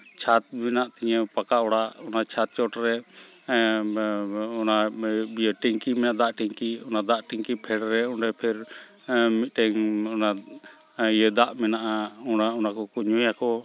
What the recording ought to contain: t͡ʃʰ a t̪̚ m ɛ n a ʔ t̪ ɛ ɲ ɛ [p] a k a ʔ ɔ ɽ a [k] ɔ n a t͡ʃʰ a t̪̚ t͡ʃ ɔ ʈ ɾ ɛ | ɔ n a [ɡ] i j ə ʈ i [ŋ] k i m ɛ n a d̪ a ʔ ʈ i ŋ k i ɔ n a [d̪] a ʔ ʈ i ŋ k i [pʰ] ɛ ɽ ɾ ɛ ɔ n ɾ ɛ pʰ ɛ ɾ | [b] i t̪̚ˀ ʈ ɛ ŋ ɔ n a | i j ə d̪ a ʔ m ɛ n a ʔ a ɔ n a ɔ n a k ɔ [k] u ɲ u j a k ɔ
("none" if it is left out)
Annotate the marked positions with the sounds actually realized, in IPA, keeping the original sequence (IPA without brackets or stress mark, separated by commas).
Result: p, ʔ, b, ŋ, d̪, pʰ, m, k